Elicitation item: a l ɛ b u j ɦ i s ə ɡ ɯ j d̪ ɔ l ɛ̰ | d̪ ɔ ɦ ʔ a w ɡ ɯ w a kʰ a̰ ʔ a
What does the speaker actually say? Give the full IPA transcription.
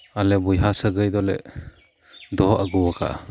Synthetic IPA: a l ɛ b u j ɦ a s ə ɡ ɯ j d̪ ɔ l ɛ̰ | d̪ ɔ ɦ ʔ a ɡ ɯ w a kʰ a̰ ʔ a